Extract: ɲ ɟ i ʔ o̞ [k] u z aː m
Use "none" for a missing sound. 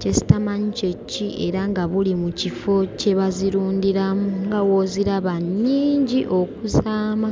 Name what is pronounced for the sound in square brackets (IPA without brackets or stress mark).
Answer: k